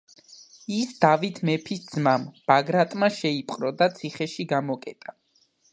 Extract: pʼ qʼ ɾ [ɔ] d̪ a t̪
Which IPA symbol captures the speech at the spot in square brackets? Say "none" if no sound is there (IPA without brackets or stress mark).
ɔ